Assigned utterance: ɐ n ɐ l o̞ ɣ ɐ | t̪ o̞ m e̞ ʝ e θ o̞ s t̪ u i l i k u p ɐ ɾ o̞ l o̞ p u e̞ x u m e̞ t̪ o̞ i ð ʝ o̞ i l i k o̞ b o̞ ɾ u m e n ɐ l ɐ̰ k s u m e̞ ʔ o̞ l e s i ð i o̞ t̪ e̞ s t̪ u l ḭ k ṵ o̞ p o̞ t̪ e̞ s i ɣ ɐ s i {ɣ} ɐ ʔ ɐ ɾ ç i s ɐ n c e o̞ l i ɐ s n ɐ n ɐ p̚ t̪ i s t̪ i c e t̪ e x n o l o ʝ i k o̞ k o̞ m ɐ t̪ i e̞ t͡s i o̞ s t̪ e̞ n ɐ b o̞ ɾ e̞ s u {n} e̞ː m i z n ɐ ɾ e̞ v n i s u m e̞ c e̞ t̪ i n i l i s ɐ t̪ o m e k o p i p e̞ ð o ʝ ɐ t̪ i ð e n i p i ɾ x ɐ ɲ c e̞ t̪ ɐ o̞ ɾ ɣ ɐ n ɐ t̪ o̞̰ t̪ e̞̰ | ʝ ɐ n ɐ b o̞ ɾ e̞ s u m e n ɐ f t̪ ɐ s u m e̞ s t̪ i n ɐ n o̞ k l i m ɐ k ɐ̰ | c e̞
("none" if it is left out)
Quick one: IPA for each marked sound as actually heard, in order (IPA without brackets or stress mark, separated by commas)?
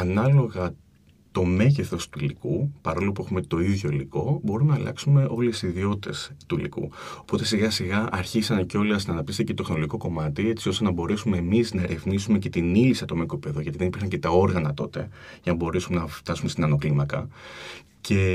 ɣ, m